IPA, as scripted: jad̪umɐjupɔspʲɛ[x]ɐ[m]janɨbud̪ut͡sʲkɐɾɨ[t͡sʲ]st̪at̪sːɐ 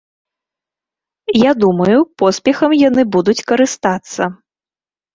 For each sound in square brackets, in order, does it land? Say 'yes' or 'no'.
yes, yes, no

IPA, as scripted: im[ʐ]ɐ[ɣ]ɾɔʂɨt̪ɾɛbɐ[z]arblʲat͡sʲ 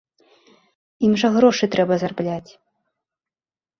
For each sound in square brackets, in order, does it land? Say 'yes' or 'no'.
yes, yes, yes

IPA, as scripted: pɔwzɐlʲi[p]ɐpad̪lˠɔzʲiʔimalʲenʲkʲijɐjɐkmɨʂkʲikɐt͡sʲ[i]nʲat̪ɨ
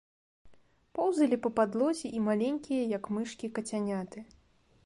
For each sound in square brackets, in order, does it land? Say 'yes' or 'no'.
yes, no

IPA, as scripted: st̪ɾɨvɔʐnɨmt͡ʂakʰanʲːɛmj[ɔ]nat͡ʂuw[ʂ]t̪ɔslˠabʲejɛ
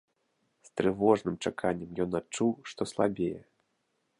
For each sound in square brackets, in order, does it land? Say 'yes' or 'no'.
yes, yes

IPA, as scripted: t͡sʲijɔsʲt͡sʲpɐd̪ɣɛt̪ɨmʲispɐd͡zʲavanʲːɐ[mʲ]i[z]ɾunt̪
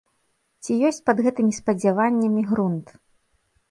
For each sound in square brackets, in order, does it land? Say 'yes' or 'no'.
yes, no

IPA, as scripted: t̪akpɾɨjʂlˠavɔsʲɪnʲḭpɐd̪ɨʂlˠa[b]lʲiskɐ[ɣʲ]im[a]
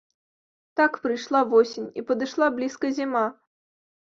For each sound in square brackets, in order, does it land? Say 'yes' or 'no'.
yes, no, yes

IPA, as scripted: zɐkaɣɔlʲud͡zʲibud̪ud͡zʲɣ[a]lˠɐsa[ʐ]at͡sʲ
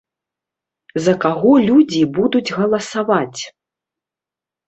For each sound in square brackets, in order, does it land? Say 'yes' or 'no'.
no, no

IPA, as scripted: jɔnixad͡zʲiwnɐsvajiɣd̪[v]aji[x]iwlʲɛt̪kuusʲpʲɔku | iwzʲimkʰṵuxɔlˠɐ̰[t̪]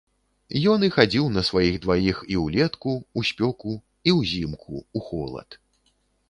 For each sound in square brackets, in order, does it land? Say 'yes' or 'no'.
yes, yes, yes

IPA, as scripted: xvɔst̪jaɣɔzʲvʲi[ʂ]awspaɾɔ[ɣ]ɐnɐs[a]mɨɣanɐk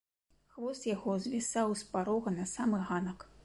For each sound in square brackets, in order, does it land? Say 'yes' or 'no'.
no, yes, yes

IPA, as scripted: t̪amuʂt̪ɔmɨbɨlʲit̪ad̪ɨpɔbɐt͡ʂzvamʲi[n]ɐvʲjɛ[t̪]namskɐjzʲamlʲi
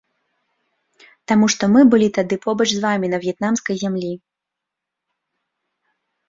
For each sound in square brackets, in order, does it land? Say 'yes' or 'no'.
yes, yes

